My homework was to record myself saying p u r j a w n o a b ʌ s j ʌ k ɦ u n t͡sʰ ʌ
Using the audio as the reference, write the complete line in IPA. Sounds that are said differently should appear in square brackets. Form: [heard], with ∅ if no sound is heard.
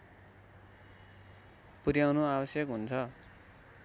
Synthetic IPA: p u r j a w n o a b ʌ s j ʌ k ɦ u n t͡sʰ ʌ